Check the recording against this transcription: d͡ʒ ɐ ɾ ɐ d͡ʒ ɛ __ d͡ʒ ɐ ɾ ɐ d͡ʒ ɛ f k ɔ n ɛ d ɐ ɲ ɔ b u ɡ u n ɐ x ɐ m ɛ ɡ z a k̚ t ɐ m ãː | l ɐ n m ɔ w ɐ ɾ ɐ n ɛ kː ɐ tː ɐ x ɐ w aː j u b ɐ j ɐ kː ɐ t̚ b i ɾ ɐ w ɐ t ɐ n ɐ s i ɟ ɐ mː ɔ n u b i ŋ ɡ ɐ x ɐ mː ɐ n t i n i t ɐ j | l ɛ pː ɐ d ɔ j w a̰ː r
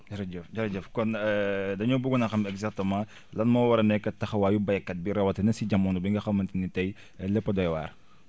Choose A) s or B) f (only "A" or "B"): B